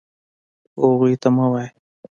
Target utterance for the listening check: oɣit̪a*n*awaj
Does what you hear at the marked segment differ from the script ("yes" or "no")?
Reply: yes